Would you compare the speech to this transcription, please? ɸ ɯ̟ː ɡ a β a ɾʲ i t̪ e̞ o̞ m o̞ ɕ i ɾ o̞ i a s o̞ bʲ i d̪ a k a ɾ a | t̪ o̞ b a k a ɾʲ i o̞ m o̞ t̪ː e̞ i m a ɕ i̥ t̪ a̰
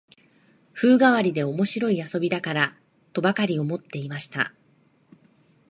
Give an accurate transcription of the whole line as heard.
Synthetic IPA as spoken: ɸ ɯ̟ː ɡ a β a ɾʲ i d̪ e̞ o̞ m o̞ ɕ i ɾ o̞ i a s o̞ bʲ i d̪ a k a ɾ a | t̪ o̞ b a k a ɾʲ i o̞ m o̞ t̪ː e̞ i m a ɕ i̥ t̪ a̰